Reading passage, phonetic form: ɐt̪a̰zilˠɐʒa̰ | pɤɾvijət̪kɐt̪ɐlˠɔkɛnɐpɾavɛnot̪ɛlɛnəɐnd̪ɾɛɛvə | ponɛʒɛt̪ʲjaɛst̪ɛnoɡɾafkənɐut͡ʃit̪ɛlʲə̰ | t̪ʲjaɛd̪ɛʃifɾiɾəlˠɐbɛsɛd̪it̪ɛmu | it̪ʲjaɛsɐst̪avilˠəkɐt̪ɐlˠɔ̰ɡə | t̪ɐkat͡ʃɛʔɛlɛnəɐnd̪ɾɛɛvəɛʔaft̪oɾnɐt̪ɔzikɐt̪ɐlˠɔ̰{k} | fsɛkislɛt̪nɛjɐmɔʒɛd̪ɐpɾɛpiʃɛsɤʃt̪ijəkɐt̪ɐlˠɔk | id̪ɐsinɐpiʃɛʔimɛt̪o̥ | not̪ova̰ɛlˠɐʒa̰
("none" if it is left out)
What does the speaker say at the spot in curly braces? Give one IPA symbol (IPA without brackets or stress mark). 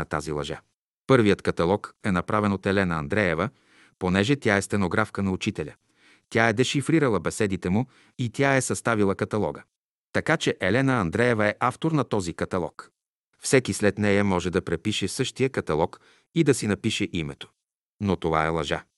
k